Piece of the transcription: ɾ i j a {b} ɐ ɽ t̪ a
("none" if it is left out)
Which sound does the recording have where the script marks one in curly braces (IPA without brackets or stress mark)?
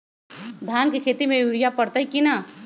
p